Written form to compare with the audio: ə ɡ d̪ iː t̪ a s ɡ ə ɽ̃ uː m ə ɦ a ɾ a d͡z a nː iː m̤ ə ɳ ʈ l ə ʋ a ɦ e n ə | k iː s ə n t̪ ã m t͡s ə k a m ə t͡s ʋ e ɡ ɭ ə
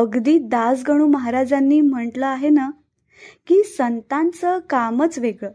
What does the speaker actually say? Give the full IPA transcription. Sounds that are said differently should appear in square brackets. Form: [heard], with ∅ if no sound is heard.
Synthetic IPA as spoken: ə ɡ d̪ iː [d̪] a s ɡ ə ɽ̃ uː m ə ɦ a ɾ a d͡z a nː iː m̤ ə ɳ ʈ l ə [∅] a ɦ e n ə | k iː s ə n t̪ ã [n] t͡s ə k a m ə t͡s ʋ e ɡ ɭ ə